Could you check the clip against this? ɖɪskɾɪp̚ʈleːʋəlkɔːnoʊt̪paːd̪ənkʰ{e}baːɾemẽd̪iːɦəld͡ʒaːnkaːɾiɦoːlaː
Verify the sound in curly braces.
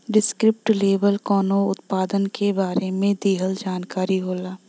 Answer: correct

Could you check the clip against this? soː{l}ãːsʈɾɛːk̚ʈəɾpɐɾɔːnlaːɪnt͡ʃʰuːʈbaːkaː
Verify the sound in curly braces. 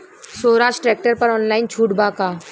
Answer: incorrect: ɾ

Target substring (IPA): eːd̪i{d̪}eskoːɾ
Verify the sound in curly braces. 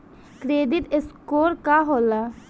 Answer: incorrect: t̪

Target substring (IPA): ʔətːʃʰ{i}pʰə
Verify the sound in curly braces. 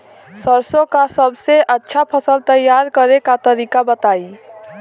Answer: incorrect: a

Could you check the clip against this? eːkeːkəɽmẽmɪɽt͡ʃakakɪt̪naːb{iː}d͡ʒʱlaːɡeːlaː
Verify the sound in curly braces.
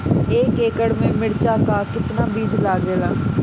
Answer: correct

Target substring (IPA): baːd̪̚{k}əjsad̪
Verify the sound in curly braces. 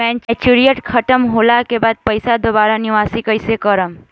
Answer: incorrect: p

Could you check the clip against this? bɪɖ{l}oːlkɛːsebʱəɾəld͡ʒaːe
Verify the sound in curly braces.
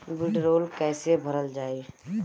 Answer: incorrect: ɾ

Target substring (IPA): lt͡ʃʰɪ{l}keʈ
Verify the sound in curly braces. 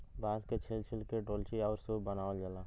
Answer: correct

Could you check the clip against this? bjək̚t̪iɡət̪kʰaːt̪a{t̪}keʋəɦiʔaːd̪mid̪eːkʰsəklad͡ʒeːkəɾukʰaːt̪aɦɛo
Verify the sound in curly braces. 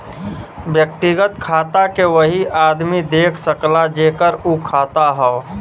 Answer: incorrect: none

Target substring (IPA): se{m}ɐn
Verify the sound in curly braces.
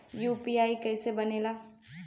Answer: incorrect: b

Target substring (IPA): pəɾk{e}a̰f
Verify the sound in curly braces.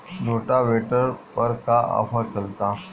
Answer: incorrect: a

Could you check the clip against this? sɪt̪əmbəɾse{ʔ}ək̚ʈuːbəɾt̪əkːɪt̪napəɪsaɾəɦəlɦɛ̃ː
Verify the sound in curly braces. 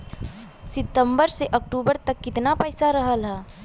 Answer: correct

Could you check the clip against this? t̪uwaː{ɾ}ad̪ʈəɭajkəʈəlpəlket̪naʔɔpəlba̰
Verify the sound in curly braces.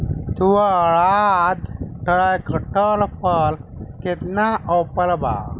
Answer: incorrect: ɭ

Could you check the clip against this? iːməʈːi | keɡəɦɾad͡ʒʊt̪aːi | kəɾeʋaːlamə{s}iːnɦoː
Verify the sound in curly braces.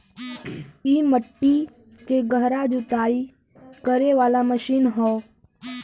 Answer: incorrect: ʃ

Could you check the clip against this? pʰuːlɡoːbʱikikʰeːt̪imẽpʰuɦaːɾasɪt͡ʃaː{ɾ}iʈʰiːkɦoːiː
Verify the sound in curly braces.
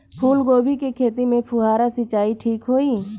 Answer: incorrect: none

